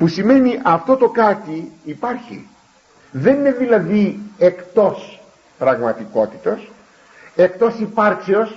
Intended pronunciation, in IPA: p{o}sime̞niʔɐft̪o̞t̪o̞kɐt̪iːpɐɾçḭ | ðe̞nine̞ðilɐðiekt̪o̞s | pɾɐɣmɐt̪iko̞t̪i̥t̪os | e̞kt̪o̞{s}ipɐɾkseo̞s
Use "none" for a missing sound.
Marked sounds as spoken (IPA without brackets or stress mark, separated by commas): u, s